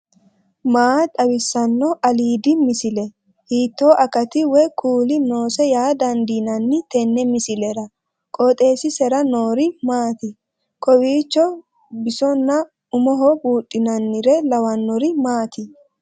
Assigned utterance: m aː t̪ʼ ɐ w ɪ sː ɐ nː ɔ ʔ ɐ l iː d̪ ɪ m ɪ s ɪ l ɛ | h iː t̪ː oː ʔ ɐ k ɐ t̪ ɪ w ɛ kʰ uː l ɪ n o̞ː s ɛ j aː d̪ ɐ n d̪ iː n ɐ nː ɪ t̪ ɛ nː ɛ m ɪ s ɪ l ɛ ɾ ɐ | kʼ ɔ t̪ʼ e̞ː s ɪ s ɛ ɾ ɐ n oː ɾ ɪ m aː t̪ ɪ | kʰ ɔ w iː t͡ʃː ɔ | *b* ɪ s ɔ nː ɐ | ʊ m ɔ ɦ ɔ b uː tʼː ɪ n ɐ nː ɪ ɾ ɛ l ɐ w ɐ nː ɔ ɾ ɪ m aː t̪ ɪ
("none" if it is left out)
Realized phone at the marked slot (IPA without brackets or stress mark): b